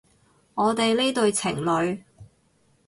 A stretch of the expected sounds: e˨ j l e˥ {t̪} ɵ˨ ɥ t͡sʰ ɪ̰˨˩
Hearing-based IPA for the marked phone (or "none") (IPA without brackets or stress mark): t̪